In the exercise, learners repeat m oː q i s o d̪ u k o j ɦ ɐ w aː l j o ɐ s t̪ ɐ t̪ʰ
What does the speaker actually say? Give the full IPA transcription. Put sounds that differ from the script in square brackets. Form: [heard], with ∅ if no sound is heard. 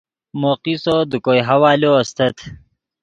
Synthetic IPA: m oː q i s o d̪ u k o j ɦ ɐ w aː l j o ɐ s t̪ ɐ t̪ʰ